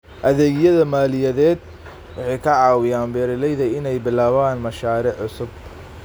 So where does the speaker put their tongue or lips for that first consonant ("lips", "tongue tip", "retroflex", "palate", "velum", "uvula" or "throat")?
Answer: throat